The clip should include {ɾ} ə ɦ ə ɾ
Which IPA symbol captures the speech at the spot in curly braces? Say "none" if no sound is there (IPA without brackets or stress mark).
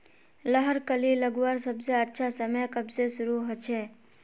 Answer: l